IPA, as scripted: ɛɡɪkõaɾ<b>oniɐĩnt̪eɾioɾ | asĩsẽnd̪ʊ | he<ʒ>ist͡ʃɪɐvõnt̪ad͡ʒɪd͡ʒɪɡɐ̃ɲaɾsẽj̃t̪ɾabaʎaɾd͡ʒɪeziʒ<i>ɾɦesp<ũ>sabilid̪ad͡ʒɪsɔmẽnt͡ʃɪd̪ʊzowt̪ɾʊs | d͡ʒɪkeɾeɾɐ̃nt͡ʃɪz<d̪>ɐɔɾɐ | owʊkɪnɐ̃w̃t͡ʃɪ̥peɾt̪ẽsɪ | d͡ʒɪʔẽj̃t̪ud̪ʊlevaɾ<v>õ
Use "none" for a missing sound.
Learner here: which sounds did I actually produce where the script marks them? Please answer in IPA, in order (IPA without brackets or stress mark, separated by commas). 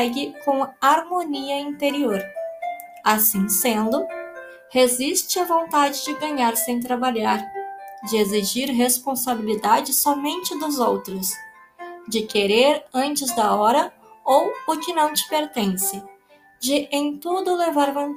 m, z, i, õ, d̪, v